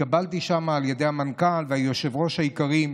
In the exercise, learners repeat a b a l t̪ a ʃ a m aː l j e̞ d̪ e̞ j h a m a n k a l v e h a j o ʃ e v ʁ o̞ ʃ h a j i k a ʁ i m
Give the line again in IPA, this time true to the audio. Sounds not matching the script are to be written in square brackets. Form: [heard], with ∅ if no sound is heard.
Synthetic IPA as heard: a b a l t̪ [i] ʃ a m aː l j e̞ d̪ e̞ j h a m a n k a l v e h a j o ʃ e v ʁ o̞ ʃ h a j i k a ʁ i m